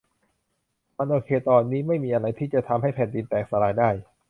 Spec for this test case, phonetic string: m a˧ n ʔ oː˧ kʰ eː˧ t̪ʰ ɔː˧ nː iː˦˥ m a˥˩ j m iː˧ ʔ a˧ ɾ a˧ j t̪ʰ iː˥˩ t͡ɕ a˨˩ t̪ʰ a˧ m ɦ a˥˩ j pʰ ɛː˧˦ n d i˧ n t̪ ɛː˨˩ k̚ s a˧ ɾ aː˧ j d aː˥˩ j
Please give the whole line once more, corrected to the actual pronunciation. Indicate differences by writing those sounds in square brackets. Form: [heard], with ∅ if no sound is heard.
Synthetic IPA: m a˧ n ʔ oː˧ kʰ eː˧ [t̪] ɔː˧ nː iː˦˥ m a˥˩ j m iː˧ ʔ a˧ ɾ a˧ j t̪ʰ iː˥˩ t͡ɕ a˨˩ t̪ʰ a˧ m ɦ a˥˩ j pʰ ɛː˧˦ n d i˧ n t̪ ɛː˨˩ k̚ s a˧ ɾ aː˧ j d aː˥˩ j